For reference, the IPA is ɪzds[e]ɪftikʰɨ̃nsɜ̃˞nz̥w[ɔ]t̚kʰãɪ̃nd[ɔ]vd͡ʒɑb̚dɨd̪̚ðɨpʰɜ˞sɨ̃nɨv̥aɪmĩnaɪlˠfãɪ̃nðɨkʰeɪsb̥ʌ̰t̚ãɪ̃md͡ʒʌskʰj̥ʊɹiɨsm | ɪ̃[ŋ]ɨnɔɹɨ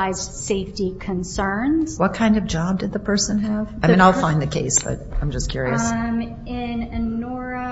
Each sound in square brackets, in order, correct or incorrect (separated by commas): correct, incorrect, incorrect, incorrect